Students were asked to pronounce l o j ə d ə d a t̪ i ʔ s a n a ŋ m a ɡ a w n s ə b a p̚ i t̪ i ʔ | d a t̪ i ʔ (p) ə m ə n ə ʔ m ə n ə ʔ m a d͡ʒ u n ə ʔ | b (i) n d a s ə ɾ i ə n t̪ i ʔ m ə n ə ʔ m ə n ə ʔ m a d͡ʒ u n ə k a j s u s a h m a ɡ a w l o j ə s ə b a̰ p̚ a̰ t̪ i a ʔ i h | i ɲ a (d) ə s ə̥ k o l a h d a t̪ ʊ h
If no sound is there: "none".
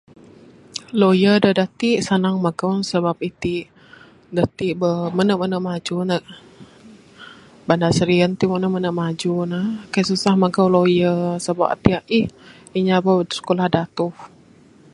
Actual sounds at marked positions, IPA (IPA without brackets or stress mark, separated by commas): b, a, b